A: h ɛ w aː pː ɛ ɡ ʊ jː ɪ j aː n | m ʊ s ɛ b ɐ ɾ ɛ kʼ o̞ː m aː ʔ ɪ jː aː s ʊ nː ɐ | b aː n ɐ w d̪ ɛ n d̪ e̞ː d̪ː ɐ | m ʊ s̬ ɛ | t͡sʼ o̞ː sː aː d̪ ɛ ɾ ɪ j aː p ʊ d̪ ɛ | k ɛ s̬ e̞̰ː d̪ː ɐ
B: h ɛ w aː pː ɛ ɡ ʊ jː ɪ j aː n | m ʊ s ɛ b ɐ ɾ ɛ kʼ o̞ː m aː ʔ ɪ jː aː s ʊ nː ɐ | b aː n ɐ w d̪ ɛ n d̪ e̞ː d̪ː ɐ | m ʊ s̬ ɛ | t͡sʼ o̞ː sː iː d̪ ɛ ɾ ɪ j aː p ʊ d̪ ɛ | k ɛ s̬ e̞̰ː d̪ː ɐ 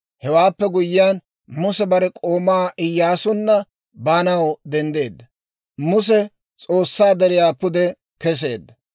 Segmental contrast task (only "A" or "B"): A